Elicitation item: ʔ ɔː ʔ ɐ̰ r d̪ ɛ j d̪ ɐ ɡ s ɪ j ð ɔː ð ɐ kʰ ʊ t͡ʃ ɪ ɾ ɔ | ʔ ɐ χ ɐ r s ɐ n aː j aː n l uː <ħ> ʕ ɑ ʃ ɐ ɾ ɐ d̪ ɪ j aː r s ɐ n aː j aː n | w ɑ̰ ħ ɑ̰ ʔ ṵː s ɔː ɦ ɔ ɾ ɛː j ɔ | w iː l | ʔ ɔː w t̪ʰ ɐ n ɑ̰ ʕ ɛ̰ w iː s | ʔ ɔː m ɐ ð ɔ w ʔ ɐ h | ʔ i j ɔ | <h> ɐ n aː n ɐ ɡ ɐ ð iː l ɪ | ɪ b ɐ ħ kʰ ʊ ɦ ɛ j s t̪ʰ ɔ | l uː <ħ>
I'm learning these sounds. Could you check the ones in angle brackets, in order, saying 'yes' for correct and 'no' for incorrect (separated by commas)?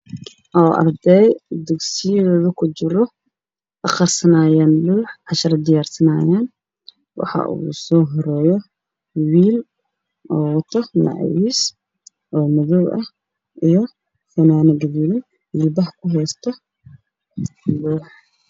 yes, no, yes